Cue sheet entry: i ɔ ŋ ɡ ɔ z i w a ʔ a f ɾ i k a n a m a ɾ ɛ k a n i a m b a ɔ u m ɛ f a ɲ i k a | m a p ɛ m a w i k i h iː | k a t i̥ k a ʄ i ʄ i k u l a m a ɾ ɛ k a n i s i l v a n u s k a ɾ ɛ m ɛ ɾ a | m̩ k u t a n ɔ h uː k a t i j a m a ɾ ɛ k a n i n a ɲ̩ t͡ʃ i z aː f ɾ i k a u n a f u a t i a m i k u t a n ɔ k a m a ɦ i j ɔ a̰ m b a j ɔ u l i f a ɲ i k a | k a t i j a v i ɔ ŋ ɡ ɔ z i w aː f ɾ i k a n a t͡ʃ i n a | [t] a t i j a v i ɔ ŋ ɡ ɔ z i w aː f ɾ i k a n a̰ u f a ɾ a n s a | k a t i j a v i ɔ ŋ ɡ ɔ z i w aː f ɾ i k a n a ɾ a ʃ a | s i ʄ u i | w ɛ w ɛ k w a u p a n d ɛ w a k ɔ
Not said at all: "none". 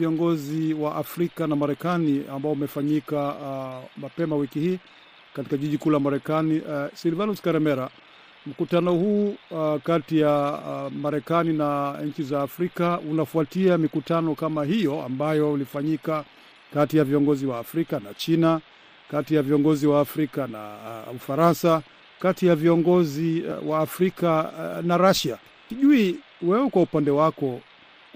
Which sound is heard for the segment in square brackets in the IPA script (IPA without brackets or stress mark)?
k